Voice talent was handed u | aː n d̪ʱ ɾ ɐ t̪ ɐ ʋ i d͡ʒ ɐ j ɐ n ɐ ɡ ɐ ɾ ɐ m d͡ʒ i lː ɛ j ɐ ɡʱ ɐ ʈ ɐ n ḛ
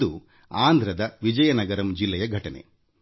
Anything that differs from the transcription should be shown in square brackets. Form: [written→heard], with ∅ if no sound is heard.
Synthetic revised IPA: u | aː n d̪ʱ ɾ ɐ [t̪→d̪] ɐ ʋ i d͡ʒ ɐ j ɐ n ɐ ɡ ɐ ɾ ɐ m d͡ʒ i lː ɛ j ɐ ɡʱ ɐ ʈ ɐ n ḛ